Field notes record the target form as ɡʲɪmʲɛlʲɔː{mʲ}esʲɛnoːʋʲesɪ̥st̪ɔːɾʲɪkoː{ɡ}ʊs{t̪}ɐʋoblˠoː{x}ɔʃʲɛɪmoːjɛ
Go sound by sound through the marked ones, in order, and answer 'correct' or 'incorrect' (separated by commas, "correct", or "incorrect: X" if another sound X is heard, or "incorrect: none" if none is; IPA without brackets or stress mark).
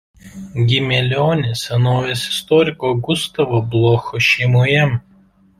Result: incorrect: nʲ, correct, correct, correct